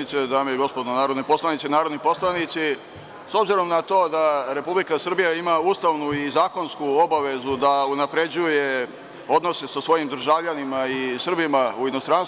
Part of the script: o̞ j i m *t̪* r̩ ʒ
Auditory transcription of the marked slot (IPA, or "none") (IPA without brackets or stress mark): d̪